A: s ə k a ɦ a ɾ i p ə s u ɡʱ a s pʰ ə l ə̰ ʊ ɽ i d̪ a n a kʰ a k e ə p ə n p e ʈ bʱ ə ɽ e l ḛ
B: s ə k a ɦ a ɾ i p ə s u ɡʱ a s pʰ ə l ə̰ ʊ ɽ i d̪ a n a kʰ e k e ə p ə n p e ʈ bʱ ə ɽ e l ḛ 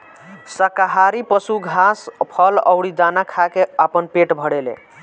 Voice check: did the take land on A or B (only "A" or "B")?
A